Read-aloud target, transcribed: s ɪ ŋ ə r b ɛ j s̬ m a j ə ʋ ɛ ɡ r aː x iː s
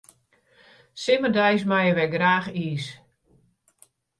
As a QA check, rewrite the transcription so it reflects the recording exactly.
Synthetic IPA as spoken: s ɪ m ə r d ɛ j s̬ m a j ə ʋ ɛ ɡ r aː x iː s